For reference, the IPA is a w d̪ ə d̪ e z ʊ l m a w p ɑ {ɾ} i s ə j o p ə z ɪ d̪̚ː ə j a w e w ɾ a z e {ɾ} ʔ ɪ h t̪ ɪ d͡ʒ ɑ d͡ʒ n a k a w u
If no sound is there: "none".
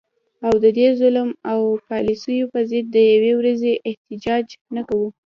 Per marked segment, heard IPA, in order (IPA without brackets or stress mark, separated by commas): l, none